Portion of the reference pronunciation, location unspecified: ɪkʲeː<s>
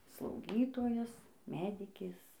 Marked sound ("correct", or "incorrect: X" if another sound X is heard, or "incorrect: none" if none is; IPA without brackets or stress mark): correct